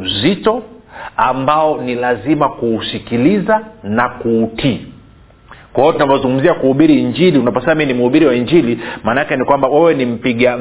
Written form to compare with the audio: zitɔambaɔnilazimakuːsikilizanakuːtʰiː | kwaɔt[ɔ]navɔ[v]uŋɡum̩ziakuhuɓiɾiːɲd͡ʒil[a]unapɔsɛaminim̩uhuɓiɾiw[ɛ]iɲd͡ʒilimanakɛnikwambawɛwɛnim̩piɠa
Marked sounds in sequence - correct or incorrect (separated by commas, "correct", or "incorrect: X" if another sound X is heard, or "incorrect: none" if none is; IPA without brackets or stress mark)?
incorrect: u, incorrect: z, incorrect: i, incorrect: a